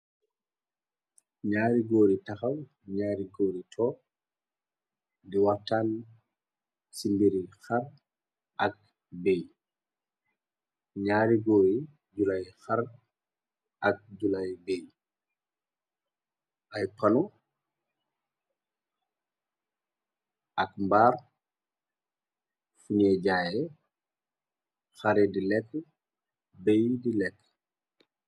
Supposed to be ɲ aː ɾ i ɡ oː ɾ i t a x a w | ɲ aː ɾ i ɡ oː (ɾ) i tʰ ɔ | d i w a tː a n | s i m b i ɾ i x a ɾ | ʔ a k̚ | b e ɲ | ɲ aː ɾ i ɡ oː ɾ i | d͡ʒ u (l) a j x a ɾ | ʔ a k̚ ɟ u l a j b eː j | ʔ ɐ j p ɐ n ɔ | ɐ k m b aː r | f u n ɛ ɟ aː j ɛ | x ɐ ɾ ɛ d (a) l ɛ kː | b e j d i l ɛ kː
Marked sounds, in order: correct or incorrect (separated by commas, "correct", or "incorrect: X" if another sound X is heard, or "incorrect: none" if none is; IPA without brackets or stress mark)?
correct, correct, incorrect: i